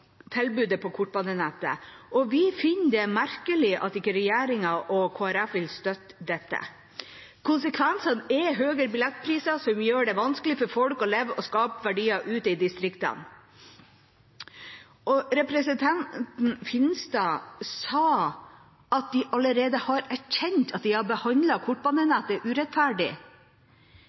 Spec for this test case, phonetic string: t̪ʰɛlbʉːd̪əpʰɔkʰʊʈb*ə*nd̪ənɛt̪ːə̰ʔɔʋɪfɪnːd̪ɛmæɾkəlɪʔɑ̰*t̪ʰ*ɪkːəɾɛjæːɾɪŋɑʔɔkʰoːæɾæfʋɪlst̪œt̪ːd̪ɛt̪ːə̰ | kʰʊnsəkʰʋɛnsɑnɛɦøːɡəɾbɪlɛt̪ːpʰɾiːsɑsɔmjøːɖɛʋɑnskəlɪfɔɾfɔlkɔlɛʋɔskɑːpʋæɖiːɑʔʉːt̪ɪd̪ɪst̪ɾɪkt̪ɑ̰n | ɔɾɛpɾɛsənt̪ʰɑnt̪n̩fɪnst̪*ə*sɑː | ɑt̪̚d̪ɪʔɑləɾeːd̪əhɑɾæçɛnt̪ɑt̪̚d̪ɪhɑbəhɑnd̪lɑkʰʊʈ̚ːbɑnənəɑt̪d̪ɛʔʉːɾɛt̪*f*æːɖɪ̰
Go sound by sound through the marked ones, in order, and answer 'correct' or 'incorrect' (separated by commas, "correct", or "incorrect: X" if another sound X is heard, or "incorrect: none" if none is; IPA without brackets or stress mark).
incorrect: ɑ, incorrect: t̪, incorrect: ɑ, correct